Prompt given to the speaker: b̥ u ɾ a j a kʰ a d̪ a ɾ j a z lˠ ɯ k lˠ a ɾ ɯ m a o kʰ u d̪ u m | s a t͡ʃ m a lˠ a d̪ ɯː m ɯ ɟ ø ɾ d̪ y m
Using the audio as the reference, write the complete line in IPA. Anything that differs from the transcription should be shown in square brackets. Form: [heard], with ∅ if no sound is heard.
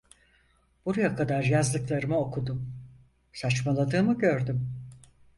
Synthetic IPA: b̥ u ɾ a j a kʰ a d̪ a ɾ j a z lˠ ɯ k lˠ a ɾ ɯ m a o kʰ u d̪ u m | s a t͡ʃ m a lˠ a d̪ ɯː m ɯ ɟ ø ɾ d̪ y m

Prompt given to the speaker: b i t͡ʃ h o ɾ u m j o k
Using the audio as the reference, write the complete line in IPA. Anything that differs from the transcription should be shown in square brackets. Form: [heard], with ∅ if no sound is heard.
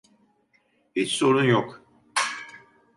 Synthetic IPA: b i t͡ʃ [s] o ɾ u [n] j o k

